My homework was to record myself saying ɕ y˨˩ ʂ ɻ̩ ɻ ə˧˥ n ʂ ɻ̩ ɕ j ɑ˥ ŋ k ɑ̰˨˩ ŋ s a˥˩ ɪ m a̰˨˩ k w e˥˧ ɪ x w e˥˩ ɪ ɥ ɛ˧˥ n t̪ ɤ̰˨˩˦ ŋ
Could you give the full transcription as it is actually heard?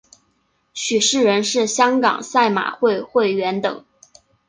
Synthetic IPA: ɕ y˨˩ ʂ ɻ̩ ɻ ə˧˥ n ʂ ɻ̩ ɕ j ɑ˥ ŋ k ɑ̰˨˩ ŋ s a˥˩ ɪ m a̰˨˩ x w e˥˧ ɪ x w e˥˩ ɪ ɥ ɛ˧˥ n t̪ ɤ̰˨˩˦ ŋ